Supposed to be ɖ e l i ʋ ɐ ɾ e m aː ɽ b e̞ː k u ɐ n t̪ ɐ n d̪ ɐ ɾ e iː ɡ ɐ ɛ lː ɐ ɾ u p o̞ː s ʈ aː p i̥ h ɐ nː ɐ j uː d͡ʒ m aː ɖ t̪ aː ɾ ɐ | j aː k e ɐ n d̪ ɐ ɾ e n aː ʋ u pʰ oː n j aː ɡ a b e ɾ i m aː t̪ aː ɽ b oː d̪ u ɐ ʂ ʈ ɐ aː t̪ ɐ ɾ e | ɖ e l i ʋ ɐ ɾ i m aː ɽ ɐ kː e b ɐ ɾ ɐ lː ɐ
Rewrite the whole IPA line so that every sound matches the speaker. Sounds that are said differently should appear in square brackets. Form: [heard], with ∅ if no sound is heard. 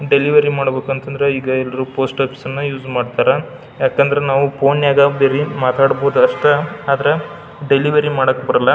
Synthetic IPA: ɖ e l i ʋ ɐ ɾ [i] m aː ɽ b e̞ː k u ɐ n t̪ ɐ n d̪ ɐ ɾ e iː ɡ ɐ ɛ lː ɐ ɾ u p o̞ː s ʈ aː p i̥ [s] ɐ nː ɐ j uː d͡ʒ m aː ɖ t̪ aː ɾ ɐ | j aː k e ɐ n d̪ ɐ ɾ e n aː ʋ u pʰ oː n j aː ɡ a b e ɾ i m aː t̪ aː ɽ b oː d̪ u ɐ ʂ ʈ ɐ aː [d̪] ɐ ɾ e | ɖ e l i ʋ ɐ ɾ i m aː ɽ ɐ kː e b ɐ ɾ ɐ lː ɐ

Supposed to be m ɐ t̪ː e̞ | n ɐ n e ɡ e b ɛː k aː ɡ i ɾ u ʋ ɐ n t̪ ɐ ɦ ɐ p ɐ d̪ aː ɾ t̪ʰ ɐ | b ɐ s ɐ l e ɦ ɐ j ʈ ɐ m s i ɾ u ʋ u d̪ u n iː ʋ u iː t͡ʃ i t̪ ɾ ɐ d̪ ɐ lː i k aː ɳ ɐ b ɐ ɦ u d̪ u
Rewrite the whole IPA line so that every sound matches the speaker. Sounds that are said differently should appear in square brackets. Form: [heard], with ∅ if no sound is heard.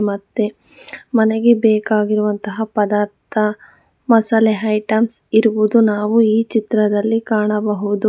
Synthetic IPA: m ɐ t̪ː e̞ | [m] ɐ n e ɡ e b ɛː k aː ɡ i ɾ u ʋ ɐ n t̪ ɐ ɦ ɐ p ɐ d̪ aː ɾ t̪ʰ ɐ | [m] ɐ s ɐ l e ɦ ɐ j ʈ ɐ m s i ɾ u ʋ u d̪ u n [aː] ʋ u iː t͡ʃ i t̪ ɾ ɐ d̪ ɐ lː i k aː ɳ ɐ b ɐ ɦ u d̪ u

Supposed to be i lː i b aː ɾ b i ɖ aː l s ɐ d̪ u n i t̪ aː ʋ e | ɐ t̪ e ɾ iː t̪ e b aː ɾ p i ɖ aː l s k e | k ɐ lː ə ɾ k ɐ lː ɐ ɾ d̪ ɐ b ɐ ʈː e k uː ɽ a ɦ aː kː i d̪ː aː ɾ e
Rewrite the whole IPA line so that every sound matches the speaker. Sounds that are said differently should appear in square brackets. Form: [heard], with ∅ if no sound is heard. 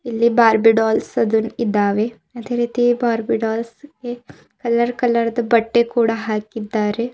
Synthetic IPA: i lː i b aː ɾ b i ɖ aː l s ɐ d̪ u n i [d̪] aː ʋ e | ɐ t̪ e ɾ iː t̪ [i] b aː ɾ [b] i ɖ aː l s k e | k ɐ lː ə ɾ k ɐ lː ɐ ɾ d̪ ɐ b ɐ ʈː e k uː ɽ a ɦ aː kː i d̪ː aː ɾ e

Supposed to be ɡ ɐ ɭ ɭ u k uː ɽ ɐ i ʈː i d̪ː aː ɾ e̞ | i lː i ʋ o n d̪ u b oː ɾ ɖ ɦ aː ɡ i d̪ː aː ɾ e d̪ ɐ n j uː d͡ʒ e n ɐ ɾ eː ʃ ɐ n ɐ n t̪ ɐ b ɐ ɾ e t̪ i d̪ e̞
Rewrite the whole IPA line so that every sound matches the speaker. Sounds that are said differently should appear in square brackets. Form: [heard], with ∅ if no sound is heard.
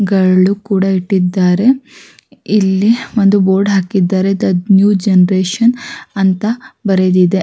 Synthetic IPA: ɡ ɐ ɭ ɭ u k uː ɽ ɐ i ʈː i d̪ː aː ɾ e̞ | i lː i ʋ o n d̪ u b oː ɾ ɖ ɦ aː [k] i d̪ː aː ɾ e d̪ ɐ n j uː d͡ʒ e n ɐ ɾ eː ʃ ɐ n ɐ n t̪ ɐ b ɐ ɾ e [d̪] i d̪ e̞

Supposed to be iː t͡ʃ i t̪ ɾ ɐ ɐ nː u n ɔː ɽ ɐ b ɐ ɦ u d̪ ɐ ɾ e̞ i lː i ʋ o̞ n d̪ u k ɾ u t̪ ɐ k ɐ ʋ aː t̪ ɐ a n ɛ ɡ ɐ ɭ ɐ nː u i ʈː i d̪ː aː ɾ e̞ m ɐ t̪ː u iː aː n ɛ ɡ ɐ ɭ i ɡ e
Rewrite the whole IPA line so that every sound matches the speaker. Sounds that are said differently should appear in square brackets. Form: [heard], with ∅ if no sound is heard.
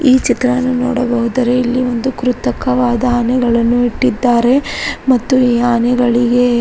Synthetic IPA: iː t͡ʃ i t̪ ɾ ɐ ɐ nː u n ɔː ɽ ɐ b ɐ ɦ u d̪ ɐ ɾ e̞ i lː i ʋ o̞ n d̪ u k ɾ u t̪ ɐ k ɐ ʋ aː [d̪] ɐ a n ɛ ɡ ɐ ɭ ɐ nː u i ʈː i d̪ː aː ɾ e̞ m ɐ t̪ː u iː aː n ɛ ɡ ɐ ɭ i ɡ e

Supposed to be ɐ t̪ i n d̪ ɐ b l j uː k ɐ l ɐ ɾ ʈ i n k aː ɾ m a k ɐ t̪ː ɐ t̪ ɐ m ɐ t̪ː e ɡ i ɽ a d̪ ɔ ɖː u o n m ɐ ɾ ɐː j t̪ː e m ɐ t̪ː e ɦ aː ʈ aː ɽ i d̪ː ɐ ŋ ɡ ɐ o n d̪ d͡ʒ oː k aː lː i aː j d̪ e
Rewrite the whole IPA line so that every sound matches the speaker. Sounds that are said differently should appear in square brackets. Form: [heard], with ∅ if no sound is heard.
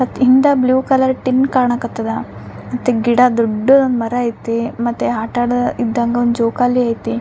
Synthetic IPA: ɐ t̪ i n d̪ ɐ b l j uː k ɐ l ɐ ɾ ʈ i n k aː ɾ [ɳ] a k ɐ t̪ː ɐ [d̪] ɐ m ɐ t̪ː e ɡ i ɽ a d̪ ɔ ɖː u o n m ɐ ɾ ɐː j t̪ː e m ɐ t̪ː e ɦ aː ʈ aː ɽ i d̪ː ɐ ŋ ɡ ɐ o n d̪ d͡ʒ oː k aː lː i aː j [t̪] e

